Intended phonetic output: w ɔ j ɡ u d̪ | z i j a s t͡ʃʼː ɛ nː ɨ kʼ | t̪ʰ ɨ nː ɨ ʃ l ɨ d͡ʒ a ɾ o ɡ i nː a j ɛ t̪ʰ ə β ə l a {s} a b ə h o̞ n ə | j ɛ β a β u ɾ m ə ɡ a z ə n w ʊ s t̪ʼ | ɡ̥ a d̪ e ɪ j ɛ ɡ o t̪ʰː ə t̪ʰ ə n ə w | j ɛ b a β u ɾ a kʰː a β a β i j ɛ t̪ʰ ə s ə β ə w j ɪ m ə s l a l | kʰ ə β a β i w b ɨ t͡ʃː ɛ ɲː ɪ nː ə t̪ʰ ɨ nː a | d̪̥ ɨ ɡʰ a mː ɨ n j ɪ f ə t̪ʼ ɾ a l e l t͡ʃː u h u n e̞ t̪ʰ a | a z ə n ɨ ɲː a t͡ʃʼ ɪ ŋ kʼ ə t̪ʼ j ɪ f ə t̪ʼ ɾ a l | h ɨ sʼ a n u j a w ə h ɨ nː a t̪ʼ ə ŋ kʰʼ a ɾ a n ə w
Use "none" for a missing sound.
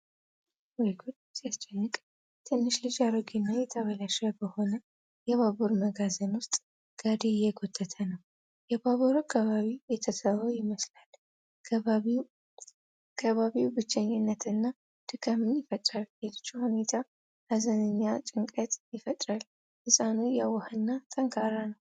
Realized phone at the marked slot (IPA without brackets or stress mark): ʃ